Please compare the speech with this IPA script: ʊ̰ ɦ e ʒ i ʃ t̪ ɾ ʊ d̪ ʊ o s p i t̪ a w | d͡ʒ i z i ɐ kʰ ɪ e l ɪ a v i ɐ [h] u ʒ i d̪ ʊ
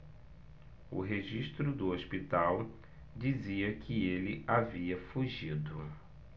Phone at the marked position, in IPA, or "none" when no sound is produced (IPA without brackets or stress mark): f